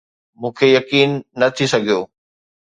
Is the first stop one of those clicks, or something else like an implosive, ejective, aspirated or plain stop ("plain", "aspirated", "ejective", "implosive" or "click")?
aspirated